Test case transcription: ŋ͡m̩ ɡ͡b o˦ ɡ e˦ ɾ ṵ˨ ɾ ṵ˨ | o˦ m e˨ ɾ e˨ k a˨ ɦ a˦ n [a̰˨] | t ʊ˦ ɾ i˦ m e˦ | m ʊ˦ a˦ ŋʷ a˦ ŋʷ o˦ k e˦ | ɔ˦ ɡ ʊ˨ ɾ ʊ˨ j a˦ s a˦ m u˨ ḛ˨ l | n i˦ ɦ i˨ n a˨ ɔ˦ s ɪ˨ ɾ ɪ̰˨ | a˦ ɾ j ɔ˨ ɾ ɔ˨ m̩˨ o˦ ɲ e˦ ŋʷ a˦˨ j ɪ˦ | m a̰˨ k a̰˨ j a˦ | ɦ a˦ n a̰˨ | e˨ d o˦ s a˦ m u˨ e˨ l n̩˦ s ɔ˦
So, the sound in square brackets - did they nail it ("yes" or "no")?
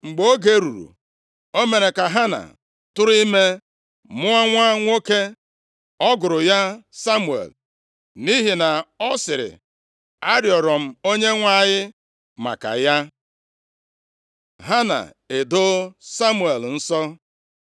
yes